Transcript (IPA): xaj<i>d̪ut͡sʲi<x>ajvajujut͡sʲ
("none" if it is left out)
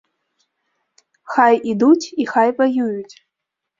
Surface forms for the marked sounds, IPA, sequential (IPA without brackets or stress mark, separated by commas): i, x